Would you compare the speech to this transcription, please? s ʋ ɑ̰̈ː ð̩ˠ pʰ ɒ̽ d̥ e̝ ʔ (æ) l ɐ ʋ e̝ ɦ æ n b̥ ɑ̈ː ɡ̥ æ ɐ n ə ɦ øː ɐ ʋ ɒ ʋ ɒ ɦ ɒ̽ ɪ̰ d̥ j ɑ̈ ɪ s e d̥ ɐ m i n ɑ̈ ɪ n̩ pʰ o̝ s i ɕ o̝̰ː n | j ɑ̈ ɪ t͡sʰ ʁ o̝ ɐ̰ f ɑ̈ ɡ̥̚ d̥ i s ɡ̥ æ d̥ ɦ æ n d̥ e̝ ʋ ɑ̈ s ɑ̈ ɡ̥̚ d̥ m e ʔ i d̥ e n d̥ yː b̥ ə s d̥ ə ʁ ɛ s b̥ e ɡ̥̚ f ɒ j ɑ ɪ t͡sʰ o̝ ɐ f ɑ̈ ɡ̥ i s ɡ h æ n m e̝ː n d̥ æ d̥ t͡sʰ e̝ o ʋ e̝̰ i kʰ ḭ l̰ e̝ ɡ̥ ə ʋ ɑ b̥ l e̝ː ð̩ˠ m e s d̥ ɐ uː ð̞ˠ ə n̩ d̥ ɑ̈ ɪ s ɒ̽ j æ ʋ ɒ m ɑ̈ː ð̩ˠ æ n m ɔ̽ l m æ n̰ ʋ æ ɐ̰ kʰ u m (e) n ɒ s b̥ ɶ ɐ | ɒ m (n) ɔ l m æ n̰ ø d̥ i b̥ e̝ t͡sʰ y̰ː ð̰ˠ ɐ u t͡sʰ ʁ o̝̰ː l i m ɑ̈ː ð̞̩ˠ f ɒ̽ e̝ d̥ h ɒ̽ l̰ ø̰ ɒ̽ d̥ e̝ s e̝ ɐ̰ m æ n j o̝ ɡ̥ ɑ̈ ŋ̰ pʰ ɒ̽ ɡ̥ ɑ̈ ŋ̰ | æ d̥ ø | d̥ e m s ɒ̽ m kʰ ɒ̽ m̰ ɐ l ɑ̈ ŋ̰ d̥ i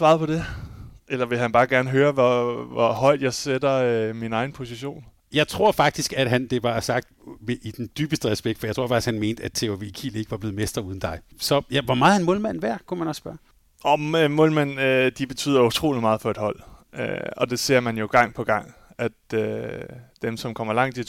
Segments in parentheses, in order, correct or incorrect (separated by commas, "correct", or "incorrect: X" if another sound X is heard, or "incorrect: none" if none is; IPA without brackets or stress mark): incorrect: e, incorrect: æ, incorrect: m